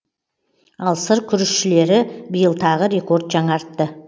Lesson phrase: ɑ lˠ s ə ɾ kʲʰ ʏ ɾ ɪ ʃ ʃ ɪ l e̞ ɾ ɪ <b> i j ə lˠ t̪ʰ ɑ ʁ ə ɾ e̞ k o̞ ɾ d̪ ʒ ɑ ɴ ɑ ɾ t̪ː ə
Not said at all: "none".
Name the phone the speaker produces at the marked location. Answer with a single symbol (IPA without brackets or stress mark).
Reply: b